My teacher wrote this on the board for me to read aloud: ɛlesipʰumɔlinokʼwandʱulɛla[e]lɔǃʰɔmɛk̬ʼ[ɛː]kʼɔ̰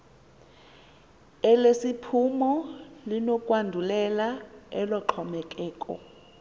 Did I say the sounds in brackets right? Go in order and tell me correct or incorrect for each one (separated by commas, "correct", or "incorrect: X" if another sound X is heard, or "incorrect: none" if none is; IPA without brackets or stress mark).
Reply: incorrect: ɛ, correct